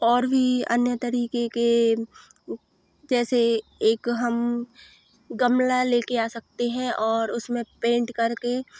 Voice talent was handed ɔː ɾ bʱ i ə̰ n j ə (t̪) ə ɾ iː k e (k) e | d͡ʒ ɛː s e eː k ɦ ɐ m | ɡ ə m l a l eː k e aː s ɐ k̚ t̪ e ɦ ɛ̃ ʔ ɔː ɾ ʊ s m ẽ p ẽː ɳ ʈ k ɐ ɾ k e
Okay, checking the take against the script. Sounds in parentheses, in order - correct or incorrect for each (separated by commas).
correct, correct